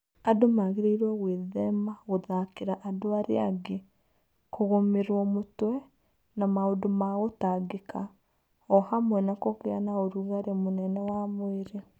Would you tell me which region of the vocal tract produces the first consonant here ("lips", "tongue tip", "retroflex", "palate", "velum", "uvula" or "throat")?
tongue tip